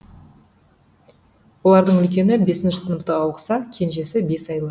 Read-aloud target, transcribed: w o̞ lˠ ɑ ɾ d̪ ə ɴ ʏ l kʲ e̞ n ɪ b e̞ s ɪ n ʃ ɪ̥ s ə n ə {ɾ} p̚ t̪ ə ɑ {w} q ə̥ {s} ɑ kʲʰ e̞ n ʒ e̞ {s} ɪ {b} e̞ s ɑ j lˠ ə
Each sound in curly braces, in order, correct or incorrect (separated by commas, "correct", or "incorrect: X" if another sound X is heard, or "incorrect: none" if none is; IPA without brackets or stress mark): incorrect: none, correct, correct, correct, correct